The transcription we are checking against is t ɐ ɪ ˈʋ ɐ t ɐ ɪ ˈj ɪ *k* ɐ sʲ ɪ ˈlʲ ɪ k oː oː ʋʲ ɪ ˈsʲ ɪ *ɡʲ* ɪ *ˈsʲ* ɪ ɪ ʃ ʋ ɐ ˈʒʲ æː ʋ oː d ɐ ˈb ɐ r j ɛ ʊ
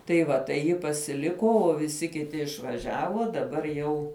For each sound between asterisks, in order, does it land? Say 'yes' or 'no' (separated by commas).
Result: no, no, no